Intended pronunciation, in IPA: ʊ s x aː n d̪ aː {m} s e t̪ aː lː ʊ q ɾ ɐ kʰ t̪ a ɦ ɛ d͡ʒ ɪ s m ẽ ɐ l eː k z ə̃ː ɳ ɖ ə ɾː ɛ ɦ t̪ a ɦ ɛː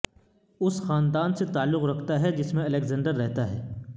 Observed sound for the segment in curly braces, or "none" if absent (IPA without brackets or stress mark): n